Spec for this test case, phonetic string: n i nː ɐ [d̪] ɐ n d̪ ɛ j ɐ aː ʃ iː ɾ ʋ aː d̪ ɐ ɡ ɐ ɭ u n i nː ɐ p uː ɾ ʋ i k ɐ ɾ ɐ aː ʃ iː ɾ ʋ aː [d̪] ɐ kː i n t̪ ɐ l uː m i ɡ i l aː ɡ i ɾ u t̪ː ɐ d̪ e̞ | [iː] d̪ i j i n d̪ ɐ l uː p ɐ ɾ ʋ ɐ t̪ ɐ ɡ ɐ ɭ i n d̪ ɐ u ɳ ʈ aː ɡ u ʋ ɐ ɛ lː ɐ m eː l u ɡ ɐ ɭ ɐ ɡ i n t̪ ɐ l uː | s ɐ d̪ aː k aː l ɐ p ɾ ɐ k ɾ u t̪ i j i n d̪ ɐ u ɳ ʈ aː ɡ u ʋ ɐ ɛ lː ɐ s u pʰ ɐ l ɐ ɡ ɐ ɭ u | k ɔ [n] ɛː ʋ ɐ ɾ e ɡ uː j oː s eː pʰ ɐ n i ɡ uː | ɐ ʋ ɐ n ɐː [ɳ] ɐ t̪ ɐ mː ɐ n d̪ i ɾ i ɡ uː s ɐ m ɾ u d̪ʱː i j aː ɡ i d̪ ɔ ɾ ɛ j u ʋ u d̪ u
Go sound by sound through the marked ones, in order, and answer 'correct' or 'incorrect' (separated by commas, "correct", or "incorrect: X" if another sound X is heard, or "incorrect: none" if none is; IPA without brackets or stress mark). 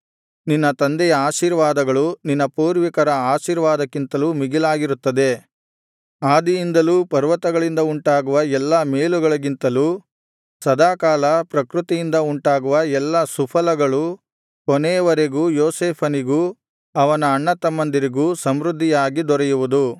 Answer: incorrect: t̪, correct, incorrect: aː, correct, incorrect: ɳː